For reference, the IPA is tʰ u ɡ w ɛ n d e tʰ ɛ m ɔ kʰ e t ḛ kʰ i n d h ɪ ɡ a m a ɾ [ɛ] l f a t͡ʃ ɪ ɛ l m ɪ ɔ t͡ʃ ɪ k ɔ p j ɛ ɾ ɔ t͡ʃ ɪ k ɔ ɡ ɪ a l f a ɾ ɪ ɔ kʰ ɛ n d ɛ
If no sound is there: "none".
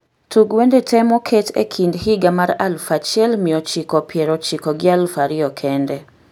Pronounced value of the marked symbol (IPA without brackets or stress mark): a